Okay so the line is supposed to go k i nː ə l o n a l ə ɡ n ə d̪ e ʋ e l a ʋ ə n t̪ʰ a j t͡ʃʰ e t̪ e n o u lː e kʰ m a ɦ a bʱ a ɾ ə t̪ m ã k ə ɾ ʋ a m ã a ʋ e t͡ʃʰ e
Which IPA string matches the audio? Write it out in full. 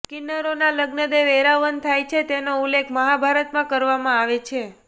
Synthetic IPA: k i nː ə ɾ o n a l ə ɡ n ə d̪ e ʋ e ɾ a ʋ ə n t̪ʰ a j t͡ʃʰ e t̪ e n o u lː e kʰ m ə ɦ a bʱ a ɾ ə t̪ m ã k ə ɾ ʋ a m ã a ʋ e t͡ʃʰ e